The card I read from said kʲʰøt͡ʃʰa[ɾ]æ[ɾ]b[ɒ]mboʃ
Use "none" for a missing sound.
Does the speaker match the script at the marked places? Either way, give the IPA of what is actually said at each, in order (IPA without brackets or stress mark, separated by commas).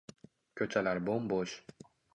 l, ɾ, o